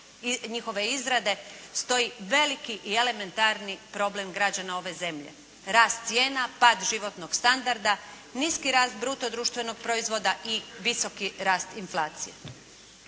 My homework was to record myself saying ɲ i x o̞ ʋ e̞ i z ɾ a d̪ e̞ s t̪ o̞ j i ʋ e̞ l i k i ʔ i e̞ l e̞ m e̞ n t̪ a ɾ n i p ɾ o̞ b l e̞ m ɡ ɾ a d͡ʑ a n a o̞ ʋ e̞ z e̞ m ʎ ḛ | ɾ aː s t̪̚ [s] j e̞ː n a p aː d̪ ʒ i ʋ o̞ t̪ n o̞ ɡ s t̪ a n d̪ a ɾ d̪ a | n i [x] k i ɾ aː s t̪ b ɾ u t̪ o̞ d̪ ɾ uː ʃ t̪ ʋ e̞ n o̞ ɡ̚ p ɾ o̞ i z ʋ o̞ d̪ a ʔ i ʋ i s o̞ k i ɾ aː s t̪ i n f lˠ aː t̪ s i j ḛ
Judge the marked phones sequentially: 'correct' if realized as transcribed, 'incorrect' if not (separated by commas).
correct, incorrect